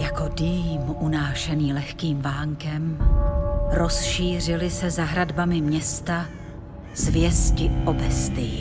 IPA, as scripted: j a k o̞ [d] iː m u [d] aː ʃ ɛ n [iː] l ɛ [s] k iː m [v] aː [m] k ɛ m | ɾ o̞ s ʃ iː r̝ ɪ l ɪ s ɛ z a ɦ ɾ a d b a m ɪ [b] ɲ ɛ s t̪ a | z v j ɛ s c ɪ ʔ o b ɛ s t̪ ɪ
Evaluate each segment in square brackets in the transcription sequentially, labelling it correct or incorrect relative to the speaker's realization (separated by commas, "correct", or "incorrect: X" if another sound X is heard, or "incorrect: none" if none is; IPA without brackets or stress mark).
correct, incorrect: n, correct, incorrect: x, correct, incorrect: ŋ, incorrect: m